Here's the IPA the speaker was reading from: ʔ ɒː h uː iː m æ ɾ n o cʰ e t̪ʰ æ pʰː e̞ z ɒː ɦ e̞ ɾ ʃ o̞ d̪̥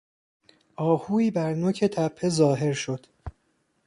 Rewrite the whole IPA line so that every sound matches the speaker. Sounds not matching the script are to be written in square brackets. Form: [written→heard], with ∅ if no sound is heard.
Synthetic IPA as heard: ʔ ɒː h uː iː [m→b] æ ɾ n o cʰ e t̪ʰ æ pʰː e̞ z ɒː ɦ e̞ ɾ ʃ o̞ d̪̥